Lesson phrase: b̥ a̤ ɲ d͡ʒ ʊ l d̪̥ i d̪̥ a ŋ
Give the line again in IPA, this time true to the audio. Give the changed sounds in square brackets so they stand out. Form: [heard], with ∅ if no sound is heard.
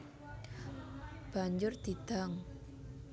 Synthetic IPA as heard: b̥ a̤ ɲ d͡ʒ ʊ [r] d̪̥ i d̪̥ a ŋ